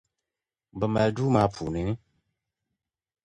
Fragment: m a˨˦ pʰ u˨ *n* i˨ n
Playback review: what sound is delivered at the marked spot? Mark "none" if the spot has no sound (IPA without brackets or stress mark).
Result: n